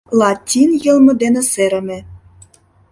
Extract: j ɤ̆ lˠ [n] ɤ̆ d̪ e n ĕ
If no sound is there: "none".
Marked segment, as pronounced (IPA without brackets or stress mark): m